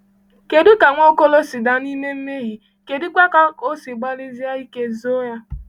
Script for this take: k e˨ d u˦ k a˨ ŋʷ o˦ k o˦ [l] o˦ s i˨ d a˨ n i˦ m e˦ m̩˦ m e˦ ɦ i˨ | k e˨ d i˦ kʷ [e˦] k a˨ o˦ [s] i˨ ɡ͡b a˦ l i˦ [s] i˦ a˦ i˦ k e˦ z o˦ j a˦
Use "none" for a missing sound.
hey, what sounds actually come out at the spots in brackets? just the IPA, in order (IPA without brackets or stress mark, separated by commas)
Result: l, a˦, s, z